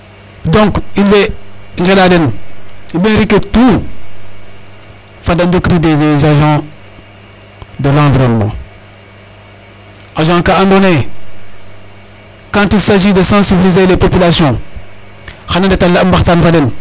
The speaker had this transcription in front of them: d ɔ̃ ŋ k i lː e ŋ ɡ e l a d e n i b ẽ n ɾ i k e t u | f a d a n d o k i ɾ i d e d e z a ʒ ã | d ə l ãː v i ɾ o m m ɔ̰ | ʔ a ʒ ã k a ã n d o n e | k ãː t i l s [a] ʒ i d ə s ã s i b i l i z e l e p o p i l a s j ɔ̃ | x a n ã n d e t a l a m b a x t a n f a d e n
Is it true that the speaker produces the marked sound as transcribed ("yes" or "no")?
yes